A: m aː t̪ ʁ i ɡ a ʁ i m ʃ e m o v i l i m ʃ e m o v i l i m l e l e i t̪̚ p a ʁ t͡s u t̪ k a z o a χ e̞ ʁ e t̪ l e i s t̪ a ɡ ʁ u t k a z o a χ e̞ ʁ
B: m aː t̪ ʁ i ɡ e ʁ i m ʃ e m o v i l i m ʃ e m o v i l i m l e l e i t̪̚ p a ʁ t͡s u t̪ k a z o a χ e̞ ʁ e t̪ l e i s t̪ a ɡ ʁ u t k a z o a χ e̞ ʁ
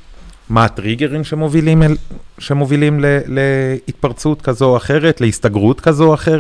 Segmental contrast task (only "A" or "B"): B